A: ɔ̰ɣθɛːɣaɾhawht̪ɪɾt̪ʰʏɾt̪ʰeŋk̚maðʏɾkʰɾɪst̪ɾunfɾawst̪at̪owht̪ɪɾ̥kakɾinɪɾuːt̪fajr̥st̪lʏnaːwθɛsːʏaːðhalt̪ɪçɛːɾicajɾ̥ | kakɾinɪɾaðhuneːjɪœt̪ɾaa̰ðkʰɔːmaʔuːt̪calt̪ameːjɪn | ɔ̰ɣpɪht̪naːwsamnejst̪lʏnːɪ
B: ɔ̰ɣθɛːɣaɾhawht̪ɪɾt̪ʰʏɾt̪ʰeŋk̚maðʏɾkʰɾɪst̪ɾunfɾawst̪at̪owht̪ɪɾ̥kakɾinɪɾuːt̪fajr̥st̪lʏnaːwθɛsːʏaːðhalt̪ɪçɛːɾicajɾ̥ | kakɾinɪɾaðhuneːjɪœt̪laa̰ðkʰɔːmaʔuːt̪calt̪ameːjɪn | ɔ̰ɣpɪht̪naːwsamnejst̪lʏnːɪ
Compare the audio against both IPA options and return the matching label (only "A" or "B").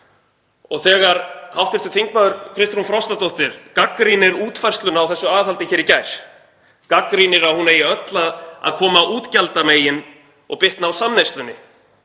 B